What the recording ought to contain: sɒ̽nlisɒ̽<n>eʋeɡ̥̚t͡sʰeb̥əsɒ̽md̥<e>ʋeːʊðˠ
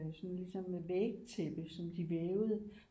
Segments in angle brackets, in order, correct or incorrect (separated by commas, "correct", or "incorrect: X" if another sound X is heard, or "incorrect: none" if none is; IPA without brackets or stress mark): incorrect: m, incorrect: i